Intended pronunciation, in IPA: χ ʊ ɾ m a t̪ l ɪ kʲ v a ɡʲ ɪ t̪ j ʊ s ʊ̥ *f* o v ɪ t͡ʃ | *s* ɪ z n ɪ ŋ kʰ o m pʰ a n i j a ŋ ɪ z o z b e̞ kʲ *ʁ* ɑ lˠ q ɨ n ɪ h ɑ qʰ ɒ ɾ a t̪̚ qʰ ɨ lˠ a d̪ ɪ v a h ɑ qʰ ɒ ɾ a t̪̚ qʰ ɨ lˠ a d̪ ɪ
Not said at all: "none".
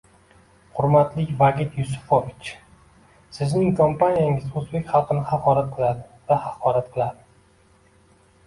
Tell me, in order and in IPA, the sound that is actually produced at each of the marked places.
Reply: f, s, χ

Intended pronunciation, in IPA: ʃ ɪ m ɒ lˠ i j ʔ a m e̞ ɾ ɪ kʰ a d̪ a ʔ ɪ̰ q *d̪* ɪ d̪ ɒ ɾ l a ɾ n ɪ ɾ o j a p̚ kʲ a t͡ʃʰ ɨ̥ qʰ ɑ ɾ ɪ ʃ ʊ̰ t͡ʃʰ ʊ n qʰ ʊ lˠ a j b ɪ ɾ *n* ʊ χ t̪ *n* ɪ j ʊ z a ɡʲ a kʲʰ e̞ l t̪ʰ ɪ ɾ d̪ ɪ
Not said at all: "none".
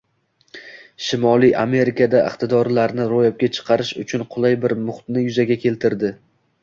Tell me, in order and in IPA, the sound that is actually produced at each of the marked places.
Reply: t̪, m, n

